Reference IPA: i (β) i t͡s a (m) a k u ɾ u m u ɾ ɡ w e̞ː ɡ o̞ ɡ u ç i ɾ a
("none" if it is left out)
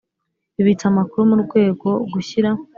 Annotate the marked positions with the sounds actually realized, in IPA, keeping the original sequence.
β, m

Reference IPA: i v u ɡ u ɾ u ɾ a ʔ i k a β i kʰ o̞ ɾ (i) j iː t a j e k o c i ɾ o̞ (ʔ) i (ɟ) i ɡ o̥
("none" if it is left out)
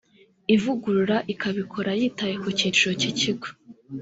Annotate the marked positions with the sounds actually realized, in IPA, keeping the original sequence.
a, c, c

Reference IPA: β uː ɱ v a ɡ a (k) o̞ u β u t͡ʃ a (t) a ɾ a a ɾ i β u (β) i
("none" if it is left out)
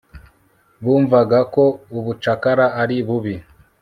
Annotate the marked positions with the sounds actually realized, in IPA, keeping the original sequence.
k, k, β

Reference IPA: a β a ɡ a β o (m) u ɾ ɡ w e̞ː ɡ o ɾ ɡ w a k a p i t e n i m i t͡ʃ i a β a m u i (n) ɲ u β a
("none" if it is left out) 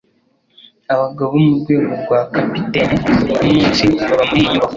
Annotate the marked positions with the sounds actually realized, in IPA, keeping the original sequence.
m, none

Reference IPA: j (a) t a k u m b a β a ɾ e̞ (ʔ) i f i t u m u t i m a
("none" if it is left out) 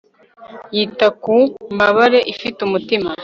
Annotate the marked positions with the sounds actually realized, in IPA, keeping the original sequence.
i, ʔ

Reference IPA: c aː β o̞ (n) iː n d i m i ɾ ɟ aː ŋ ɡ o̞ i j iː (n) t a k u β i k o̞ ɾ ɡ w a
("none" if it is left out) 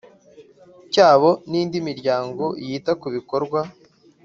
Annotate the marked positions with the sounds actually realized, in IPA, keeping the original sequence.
n, none

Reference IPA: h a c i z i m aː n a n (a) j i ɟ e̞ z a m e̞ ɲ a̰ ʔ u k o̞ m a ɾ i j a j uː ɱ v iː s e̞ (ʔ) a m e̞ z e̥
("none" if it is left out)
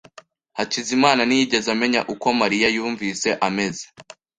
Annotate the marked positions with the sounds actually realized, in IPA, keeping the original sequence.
i, ʔ

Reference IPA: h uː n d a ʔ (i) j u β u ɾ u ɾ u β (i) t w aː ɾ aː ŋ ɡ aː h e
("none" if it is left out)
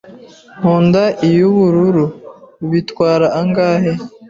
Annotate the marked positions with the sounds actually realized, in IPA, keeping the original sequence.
i, i

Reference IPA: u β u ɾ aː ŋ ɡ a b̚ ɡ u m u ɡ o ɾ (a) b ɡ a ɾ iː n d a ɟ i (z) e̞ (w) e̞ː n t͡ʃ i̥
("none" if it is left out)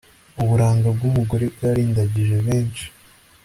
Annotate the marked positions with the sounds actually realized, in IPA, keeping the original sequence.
e, ʒ, β

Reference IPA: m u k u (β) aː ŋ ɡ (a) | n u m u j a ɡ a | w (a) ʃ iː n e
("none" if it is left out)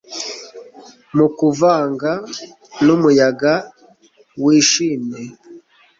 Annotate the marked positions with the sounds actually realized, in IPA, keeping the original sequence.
v, a, i

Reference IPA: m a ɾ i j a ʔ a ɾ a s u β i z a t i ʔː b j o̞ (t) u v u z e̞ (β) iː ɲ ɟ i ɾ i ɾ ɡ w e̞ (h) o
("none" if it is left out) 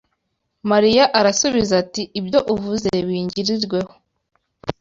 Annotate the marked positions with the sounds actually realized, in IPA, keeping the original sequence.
ʔ, β, h

